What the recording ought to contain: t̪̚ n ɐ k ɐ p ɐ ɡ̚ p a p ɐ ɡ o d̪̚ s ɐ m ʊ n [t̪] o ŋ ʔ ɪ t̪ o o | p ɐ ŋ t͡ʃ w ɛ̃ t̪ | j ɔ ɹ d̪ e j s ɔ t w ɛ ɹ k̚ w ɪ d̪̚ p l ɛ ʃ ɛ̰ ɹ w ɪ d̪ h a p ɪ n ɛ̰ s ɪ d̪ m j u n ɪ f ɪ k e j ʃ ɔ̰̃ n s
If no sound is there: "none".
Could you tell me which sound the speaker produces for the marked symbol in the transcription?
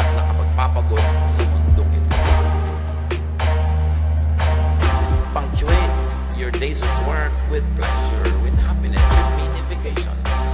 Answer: d̪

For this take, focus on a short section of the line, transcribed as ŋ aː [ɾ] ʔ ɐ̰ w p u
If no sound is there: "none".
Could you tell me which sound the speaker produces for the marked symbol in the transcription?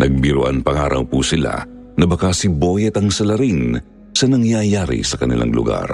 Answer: ɾ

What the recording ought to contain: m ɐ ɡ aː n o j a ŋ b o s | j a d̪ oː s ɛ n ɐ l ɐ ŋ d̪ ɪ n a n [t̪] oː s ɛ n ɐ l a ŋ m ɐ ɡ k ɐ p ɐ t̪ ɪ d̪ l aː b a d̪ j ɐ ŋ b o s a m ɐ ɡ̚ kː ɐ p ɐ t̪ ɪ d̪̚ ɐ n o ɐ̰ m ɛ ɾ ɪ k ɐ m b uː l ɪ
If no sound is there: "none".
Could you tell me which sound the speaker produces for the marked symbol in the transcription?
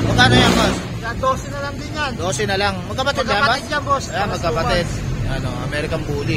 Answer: d̪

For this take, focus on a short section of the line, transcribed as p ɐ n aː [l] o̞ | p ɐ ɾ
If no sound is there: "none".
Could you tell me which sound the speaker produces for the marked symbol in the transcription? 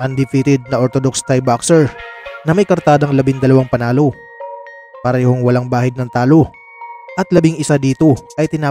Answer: l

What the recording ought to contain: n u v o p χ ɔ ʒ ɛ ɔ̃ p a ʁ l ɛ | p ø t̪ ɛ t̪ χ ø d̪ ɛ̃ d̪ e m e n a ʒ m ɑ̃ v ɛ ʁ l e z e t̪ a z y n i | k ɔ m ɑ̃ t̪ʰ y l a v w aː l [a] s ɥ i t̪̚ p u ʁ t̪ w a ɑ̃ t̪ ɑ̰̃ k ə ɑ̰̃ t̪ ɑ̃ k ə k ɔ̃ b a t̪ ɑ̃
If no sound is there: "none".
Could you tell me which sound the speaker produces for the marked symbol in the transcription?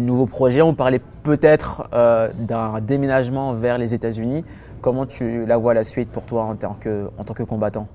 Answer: a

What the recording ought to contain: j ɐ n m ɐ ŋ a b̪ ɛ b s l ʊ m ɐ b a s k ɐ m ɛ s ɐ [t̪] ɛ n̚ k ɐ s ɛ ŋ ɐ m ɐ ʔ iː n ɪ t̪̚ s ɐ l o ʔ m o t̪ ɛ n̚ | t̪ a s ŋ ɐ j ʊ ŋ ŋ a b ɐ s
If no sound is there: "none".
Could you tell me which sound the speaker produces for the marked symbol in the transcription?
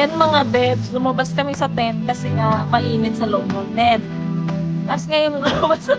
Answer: t̪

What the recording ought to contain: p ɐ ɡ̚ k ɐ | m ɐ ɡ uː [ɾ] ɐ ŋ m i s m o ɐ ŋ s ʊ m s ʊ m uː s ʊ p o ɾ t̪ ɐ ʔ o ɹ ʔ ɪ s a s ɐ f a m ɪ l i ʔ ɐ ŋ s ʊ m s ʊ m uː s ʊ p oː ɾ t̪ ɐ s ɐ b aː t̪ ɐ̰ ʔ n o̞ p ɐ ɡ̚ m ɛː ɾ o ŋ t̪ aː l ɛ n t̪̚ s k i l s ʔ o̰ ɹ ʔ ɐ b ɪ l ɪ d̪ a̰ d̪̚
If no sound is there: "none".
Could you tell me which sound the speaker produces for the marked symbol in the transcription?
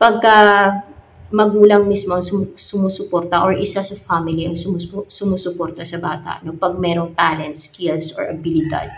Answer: l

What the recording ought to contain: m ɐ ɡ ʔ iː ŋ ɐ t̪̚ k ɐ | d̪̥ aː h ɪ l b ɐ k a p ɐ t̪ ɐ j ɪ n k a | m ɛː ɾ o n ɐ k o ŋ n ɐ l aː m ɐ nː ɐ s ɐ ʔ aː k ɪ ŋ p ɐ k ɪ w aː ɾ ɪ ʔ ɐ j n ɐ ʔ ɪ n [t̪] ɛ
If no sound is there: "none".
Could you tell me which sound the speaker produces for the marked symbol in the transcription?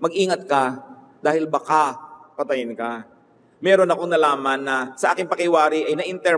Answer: t̪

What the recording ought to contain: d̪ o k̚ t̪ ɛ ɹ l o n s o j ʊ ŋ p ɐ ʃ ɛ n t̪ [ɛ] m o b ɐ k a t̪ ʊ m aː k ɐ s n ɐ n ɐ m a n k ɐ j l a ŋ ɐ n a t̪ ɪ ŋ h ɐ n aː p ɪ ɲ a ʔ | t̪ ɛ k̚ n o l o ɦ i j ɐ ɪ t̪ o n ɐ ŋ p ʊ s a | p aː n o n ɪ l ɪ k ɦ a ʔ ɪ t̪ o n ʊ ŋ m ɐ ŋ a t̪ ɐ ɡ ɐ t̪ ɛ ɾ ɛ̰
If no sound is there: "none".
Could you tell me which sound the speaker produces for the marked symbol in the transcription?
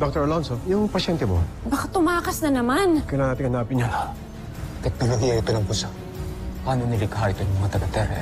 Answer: ɛ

